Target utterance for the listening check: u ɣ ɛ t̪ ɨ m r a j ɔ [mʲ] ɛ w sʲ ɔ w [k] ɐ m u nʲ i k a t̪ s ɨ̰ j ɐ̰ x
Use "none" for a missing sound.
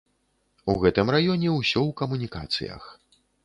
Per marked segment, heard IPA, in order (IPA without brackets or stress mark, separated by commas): nʲ, k